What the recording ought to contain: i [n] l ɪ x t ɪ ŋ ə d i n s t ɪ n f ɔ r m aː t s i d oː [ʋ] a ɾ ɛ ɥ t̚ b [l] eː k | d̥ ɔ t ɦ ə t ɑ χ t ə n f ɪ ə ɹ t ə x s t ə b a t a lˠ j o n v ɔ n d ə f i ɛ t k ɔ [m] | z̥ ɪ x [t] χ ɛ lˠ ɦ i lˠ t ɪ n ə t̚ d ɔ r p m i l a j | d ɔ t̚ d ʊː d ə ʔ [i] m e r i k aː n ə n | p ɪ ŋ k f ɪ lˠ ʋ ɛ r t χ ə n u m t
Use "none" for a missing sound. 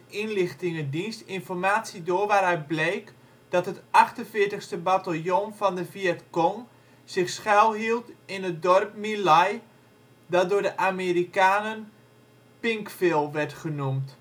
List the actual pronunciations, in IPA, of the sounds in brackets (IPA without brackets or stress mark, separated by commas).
n, ʋ, l, ŋ, s, a